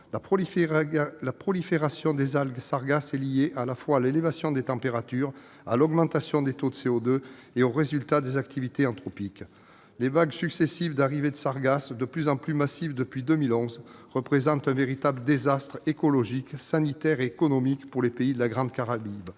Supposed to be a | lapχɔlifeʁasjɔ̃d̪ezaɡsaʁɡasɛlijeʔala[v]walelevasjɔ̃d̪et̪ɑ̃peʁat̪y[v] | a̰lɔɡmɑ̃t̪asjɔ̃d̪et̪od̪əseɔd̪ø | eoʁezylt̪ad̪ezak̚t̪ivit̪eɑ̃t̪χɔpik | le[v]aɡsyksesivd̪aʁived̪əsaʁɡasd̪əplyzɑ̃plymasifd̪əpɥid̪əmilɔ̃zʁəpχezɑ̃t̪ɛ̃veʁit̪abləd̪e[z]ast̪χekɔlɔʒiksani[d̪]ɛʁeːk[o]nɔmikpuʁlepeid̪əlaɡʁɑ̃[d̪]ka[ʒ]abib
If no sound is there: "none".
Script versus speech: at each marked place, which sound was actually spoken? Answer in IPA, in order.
f, ʁ, v, z, t̪, ɔ, d̪, ʁ

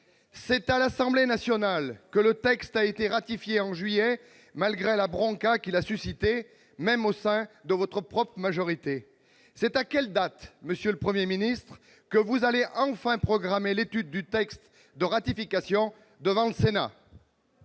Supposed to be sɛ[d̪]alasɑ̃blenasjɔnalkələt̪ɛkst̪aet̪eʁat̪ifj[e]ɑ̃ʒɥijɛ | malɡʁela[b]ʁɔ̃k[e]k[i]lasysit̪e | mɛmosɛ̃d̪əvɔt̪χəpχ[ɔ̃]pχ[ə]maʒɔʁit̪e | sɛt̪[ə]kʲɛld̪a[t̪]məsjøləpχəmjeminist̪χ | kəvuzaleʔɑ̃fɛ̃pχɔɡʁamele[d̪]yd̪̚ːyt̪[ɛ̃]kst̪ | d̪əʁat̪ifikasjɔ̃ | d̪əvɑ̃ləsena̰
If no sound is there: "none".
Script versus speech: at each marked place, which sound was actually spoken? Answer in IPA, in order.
t̪, e, b, a, i, ɔ, ə, a, t̪, t̪, ɛ

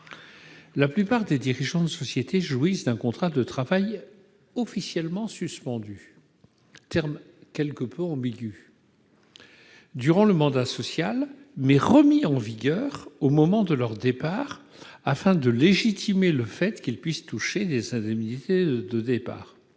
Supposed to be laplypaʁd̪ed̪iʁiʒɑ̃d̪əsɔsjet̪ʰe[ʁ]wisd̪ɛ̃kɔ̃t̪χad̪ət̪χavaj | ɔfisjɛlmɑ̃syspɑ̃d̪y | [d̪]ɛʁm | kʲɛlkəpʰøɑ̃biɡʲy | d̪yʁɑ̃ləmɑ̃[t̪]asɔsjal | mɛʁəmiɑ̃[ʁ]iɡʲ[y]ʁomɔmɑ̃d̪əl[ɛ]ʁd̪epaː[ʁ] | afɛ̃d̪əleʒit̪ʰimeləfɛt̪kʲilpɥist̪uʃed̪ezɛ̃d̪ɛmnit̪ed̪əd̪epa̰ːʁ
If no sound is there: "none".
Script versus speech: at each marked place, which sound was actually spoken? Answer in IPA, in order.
ʒ, t̪, d̪, v, œ, œ, ʁ

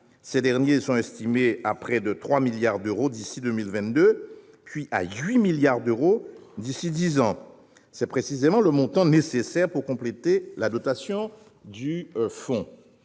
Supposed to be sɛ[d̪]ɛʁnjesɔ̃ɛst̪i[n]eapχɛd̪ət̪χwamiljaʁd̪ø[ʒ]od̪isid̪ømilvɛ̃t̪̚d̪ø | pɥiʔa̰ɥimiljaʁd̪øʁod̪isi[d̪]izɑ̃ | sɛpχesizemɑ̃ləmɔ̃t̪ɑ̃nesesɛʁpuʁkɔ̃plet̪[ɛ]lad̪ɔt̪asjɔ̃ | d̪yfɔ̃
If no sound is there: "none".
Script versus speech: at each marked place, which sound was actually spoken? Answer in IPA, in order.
d̪, m, ʁ, d̪, e

